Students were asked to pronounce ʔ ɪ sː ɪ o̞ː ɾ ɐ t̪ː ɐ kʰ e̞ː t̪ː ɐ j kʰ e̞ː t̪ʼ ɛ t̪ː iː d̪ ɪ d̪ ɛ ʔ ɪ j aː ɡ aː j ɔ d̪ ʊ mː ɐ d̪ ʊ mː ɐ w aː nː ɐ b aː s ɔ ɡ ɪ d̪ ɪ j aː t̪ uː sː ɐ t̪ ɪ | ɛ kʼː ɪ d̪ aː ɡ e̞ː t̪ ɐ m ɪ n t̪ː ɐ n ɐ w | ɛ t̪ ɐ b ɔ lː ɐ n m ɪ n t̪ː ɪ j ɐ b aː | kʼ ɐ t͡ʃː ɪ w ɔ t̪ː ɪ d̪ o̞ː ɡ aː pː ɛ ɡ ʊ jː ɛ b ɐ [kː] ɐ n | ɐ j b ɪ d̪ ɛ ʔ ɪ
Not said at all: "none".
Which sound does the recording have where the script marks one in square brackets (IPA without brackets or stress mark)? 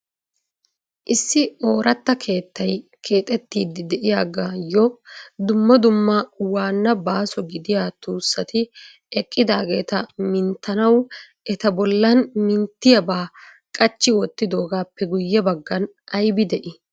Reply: ɡː